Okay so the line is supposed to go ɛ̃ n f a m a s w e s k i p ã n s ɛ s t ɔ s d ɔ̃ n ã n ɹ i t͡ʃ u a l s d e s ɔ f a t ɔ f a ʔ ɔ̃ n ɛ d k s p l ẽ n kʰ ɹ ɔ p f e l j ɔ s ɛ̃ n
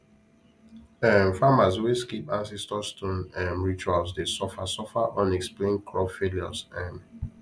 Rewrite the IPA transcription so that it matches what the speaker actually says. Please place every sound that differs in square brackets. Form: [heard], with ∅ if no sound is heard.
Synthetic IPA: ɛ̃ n f a m a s w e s k i p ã n s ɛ s t ɔ s [t] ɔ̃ n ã n ɹ i t͡ʃ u a l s d e s ɔ f a [s] ɔ f a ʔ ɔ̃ n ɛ [∅] k s p l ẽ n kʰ ɹ ɔ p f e l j ɔ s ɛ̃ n